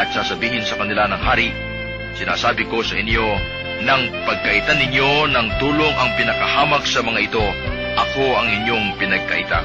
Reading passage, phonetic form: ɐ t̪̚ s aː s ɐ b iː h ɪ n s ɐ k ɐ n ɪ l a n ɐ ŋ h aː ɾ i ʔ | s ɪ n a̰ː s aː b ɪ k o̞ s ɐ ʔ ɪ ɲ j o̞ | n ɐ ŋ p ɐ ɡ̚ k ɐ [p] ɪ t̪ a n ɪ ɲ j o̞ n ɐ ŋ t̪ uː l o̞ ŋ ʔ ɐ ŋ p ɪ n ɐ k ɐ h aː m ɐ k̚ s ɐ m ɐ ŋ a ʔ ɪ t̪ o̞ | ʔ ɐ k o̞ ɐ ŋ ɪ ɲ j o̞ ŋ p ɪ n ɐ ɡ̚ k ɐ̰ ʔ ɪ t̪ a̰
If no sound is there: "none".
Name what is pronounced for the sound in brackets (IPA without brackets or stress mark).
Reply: ʔ